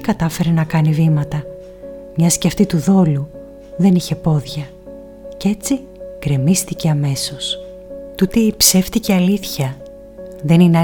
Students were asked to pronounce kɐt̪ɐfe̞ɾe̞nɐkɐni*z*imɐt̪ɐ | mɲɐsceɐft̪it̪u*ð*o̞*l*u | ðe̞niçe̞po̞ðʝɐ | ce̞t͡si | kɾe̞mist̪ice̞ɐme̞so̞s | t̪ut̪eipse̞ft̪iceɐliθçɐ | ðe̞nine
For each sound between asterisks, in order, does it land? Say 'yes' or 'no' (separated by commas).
no, yes, yes